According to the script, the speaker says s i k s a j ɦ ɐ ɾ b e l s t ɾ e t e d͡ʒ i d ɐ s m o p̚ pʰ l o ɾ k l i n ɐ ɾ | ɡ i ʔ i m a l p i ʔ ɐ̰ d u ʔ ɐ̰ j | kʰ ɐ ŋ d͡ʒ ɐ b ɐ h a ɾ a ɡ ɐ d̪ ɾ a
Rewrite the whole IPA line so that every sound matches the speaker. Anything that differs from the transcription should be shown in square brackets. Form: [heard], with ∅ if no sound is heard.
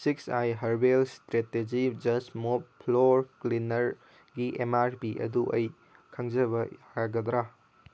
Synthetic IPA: s i k s a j ɦ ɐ ɾ b e l s t ɾ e t e d͡ʒ i [d͡ʒ] ɐ s m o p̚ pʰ l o ɾ k l i n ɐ ɾ | ɡ i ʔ [e] m a [ɾ] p i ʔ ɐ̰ d u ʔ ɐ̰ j | kʰ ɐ ŋ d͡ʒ ɐ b ɐ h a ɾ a ɡ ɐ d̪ ɾ a